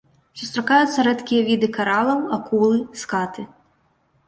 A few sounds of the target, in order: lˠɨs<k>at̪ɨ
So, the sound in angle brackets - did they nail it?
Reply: yes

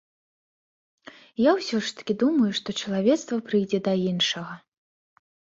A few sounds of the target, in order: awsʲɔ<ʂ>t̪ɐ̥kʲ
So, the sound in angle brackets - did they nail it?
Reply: yes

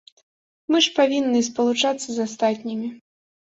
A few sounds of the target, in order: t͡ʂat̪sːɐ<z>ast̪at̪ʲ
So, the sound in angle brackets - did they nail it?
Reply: yes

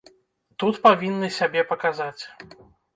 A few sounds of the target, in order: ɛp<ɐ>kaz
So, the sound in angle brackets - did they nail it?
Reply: yes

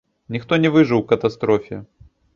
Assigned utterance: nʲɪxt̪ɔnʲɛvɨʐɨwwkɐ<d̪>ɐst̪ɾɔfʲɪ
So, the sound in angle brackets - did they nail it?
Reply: no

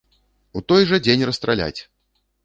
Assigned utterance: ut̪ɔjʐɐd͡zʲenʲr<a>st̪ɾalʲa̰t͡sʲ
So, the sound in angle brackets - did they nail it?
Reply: no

